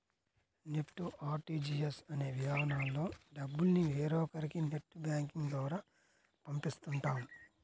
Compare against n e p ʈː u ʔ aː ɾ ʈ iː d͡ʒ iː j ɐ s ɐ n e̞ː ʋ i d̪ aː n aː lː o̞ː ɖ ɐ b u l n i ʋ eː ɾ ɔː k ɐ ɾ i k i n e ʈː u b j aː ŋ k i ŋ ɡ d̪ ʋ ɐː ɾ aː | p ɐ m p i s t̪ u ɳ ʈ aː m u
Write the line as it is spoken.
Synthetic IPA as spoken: n e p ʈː u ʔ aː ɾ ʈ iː d͡ʒ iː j ɐ s ɐ n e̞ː ʋ i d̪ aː n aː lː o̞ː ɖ ɐ bː u l n i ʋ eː ɾ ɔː k ɐ ɾ i k i n e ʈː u b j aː ŋ k i ŋ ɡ d̪ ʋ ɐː ɾ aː | p ɐ m p i s t̪ u ɳ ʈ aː m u

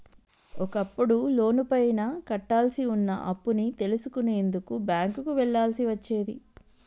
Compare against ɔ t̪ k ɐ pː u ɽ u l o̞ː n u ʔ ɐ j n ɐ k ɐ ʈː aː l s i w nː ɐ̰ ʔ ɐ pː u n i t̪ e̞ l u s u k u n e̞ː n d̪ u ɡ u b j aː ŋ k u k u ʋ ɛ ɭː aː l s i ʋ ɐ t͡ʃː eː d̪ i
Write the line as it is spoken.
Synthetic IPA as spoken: ɔ k ɐ pː u ɽ u l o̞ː n u p ɐ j n ɐ k ɐ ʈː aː l s i u nː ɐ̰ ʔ ɐ pː u n i t̪ e̞ l u s u k u n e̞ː n d̪ u k u b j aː ŋ k u k u ʋ ɛ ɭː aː l s i ʋ ɐ t͡ʃː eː d̪ i

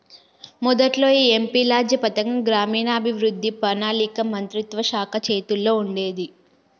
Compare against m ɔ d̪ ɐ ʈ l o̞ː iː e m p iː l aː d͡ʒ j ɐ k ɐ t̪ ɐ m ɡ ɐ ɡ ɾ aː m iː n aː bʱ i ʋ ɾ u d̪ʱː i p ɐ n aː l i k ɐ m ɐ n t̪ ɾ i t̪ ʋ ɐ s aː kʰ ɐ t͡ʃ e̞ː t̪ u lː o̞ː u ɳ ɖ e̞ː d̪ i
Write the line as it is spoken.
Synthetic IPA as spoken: m ɔ d̪ ɐ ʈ l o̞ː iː e m p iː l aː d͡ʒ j ɐ p ɐ t̪ ɐ ŋ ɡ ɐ ɡ ɾ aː m iː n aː bʱ i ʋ ɾ u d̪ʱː i p ɐ n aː l i k ɐ m ɐ n t̪ ɾ i t̪ ʋ ɐ ʃ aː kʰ ɐ t͡ʃ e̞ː t̪ u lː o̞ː u ɳ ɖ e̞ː d̪ i

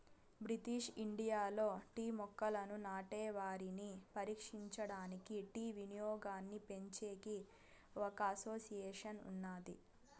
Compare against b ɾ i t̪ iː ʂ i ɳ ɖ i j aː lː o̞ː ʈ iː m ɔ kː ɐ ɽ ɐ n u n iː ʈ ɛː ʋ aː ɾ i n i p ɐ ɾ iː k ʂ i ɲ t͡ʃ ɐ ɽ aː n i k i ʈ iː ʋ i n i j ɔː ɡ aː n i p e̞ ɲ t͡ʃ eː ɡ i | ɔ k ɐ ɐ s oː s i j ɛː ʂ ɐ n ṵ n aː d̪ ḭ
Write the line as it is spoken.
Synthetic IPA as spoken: b ɾ i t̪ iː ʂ i ɳ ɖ i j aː l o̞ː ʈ iː m ɔ kː ɐ l ɐ n u n aː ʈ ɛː ʋ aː ɾ i n i p ɐ ɾ iː k ʂ i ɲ t͡ʃ ɐ ɽ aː n i k i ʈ iː ʋ i n i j ɔː ɡ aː nː i p e̞ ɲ t͡ʃ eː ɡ i | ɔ k ɐ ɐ s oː s i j ɛː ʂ ɐ n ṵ nː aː d̪ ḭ

